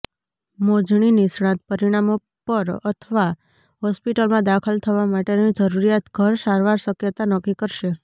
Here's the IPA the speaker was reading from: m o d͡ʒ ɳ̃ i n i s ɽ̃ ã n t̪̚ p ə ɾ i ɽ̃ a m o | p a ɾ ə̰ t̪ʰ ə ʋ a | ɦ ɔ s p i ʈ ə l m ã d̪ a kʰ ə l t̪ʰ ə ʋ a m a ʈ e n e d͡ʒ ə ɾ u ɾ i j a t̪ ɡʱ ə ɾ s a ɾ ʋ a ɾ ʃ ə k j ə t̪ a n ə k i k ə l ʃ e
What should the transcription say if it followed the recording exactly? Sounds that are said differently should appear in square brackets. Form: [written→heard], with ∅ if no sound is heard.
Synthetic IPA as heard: m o d͡ʒ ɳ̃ i n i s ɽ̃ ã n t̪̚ p ə ɾ i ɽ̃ a m o | p [a→ə] ɾ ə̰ t̪ʰ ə ʋ a | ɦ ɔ s p i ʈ ə l m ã d̪ a kʰ ə l t̪ʰ ə ʋ a m a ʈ e n [e→i] d͡ʒ ə ɾ u ɾ i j a t̪ ɡʱ ə ɾ s a ɾ ʋ a ɾ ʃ ə k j ə t̪ a n ə k i k ə [l→ɾ] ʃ e

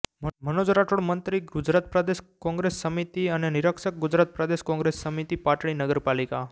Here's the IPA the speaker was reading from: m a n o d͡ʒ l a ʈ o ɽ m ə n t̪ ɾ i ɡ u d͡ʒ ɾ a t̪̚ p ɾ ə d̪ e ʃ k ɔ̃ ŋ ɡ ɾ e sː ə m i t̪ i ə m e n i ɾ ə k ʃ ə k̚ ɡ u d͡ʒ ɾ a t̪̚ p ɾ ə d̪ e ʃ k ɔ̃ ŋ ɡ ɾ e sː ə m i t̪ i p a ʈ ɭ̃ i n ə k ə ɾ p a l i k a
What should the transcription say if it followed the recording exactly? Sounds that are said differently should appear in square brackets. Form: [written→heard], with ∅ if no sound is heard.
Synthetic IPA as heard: m [a→ə] n o d͡ʒ [l→ɾ] a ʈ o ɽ m ə n t̪ ɾ i ɡ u d͡ʒ ɾ a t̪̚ p ɾ ə d̪ e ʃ k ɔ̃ ŋ ɡ ɾ e sː ə m i t̪ i ə [m→n] e n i ɾ ə k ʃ ə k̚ ɡ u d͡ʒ ɾ a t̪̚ p ɾ ə d̪ e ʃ k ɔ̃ ŋ ɡ ɾ e sː ə m i t̪ i p a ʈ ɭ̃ i n ə [k→ɡ] ə ɾ p a l i k a

